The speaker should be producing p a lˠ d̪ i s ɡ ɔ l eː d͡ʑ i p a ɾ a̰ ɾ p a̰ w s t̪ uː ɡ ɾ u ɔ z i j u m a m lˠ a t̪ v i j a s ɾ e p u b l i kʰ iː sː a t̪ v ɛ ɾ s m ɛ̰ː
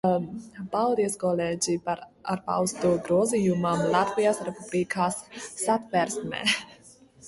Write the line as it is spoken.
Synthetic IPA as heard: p a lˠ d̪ i s k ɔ l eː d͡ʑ i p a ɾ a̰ ɾ p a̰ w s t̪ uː ɡ ɾ u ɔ z i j u m a m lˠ a t̪ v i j a s ɾ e p u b l i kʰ aː sː a t̪ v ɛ ɾ s m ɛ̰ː